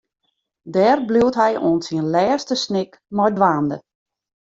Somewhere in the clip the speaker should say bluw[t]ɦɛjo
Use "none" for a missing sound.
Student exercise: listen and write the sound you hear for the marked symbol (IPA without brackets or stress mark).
t